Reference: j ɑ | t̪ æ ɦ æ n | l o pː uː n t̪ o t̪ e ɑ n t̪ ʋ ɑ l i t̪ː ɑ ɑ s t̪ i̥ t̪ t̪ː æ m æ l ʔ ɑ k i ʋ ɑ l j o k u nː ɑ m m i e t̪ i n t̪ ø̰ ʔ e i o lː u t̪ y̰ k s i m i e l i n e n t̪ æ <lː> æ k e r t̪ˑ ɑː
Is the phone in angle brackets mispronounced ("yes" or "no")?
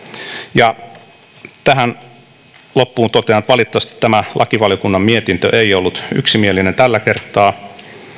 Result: no